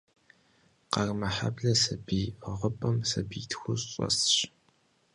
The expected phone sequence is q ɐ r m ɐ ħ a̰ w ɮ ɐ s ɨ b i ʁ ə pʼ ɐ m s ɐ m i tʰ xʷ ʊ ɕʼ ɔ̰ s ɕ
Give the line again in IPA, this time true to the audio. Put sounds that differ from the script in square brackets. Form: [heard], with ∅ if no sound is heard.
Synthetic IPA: q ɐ r m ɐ ħ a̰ [b] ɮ ɐ s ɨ b i ʁ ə pʼ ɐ m s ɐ [b] i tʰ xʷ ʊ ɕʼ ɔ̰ s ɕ